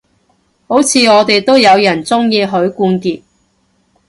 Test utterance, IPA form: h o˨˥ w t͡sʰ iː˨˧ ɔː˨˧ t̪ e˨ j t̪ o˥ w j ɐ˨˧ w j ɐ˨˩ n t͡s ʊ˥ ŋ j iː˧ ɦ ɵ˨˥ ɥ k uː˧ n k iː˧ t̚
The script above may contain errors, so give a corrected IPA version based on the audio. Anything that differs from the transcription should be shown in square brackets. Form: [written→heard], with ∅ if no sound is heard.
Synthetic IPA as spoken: h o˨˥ w t͡sʰ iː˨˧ ɔː˨˧ t̪ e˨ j t̪ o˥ w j ɐ˨˧ w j ɐ˨˩ n t͡s ʊ˥ ŋ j iː˧ ɦ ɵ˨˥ ɥ k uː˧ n k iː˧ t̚